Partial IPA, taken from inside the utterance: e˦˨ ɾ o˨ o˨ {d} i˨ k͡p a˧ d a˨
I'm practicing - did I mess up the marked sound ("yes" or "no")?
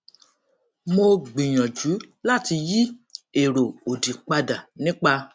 no